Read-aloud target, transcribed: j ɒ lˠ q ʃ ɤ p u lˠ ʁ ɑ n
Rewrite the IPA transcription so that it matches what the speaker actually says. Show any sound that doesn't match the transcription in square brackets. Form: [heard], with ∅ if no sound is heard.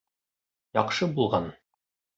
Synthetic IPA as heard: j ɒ [∅] q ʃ ɤ [b] u lˠ ʁ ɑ n